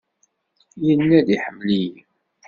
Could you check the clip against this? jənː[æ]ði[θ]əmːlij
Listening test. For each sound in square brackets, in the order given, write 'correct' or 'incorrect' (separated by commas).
correct, incorrect